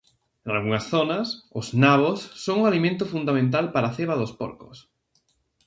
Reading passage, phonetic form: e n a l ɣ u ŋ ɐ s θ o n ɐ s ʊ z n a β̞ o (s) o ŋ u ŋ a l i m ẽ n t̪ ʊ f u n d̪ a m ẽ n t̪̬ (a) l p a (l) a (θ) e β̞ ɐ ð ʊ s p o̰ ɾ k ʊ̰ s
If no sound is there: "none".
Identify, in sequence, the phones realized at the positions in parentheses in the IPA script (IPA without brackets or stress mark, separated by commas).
sː, a, ɾ, θ